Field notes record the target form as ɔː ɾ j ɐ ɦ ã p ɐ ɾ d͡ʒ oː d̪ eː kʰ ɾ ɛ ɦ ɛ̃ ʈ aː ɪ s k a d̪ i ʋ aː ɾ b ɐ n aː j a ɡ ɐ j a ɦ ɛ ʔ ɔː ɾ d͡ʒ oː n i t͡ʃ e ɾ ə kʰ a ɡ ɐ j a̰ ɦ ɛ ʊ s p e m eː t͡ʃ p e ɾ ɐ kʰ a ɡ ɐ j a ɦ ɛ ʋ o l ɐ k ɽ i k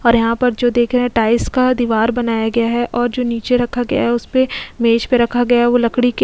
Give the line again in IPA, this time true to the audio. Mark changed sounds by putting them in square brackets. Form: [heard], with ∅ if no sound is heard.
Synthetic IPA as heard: ɔː ɾ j ɐ ɦ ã p ɐ ɾ d͡ʒ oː d̪ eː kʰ ɾ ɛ ɦ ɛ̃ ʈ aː ɪ s k a d̪ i ʋ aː ɾ b ɐ n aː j a ɡ ɐ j a ɦ ɛ ʔ ɔː ɾ d͡ʒ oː n [iː] t͡ʃ e ɾ [ɐ] kʰ a ɡ ɐ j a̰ ɦ ɛ ʊ s p e m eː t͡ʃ p e ɾ ɐ kʰ a ɡ ɐ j a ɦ ɛ ʋ o l ɐ k ɽ i k